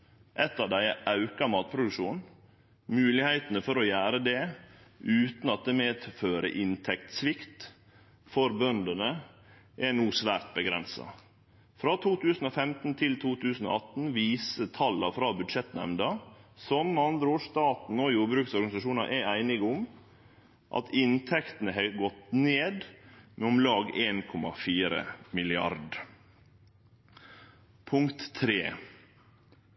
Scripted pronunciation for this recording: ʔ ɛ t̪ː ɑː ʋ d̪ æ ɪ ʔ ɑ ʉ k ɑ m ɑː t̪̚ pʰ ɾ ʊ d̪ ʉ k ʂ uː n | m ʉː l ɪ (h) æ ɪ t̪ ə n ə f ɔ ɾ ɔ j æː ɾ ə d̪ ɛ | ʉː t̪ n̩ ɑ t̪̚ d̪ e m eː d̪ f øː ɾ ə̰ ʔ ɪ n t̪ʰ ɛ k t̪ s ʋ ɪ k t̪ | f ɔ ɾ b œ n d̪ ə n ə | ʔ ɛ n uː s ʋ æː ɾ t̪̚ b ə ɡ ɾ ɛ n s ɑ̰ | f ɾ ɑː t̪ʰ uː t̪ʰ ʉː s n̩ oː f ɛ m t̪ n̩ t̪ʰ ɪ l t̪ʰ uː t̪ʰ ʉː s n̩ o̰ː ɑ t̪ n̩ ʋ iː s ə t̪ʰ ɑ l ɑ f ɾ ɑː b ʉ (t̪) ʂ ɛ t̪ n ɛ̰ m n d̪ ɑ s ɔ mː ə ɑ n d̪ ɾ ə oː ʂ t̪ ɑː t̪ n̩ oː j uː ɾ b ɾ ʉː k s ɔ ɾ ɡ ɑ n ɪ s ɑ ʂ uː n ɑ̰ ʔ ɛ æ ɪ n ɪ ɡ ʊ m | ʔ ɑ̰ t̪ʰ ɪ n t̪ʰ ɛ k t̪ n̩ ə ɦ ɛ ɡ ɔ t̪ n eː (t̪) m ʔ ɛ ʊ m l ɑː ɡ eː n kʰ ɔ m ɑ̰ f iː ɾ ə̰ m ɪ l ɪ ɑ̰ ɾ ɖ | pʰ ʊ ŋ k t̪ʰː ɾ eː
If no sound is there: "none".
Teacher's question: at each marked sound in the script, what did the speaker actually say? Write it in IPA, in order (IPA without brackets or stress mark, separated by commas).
h, d̪, d̪